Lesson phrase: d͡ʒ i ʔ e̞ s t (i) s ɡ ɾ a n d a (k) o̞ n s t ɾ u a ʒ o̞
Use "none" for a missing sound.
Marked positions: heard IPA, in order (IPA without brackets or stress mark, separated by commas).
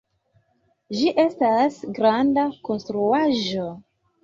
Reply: a, k